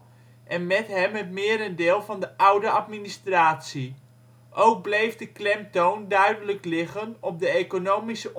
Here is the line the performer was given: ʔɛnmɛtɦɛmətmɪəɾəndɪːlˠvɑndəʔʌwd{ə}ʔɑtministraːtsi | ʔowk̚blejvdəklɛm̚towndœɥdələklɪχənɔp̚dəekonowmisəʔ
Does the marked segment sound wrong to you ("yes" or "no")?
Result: no